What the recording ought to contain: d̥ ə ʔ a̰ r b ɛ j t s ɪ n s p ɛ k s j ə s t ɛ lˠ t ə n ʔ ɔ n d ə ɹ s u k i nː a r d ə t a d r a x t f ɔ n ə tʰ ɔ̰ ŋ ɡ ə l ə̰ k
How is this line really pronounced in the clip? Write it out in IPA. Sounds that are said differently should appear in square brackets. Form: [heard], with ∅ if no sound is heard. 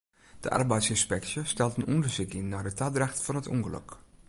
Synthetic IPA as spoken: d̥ ə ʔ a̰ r b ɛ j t s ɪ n s p ɛ k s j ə s t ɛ lˠ t ə n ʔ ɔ n d ə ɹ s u k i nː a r d ə t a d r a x t f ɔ n ə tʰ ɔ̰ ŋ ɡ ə l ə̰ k